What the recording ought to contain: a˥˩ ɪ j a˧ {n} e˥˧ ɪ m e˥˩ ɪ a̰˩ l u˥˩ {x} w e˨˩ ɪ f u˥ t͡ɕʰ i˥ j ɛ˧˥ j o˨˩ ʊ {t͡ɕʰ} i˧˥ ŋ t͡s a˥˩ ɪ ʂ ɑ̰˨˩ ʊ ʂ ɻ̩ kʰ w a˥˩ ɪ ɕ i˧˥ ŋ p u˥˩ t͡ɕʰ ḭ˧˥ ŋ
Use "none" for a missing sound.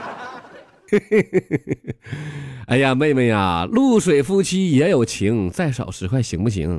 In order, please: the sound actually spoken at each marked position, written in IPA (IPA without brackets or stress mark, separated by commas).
m, ʂ, t͡ɕʰ